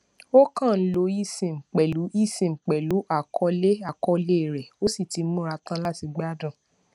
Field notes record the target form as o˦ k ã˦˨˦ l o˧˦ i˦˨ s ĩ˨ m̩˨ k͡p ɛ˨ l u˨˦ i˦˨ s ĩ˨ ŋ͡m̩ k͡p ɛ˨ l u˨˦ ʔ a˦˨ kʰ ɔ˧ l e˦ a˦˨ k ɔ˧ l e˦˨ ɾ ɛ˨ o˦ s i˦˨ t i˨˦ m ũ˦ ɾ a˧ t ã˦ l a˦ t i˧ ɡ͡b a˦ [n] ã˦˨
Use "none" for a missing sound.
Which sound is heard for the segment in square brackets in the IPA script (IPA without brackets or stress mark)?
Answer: d